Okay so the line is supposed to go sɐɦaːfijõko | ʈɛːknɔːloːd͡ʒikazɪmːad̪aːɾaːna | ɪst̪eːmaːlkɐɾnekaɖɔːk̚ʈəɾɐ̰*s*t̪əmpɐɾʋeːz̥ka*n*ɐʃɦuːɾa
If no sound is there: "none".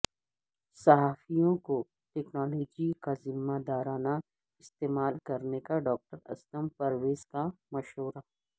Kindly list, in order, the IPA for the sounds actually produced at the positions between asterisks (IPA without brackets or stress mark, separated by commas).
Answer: s, m